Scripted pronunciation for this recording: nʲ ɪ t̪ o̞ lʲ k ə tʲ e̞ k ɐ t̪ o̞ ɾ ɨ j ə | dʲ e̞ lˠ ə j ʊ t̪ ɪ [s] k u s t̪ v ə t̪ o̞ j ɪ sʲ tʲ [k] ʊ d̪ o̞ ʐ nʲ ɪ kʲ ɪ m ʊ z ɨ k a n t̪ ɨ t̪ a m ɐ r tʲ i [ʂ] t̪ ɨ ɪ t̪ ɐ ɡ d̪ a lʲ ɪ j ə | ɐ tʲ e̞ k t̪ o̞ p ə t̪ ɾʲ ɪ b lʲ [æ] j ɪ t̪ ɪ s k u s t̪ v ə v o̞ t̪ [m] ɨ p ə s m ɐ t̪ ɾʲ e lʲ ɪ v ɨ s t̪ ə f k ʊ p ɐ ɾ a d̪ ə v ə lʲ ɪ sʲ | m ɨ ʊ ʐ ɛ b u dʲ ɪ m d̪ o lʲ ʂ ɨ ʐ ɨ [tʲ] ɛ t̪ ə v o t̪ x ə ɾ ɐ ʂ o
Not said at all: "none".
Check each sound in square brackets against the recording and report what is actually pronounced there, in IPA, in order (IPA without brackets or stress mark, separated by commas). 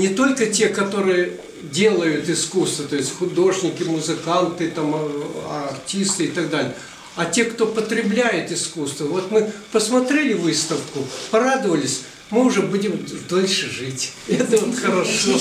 s, x, s, æ, m, tʲ